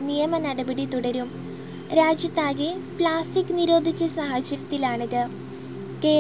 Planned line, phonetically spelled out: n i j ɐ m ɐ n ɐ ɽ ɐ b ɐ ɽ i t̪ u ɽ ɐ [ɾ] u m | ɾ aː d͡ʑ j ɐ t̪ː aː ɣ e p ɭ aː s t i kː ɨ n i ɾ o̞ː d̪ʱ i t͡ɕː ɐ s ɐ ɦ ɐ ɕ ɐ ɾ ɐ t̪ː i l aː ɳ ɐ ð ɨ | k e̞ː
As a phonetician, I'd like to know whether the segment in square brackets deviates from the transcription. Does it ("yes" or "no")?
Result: no